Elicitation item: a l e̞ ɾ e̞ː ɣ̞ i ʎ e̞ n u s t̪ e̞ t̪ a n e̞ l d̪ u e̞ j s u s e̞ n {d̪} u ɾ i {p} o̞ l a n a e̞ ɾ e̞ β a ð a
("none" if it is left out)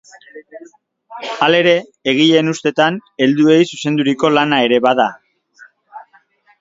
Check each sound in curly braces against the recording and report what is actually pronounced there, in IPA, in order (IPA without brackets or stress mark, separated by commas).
d̪, k